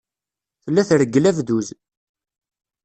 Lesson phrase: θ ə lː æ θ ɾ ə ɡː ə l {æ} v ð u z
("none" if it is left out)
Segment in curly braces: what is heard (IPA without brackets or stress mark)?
æ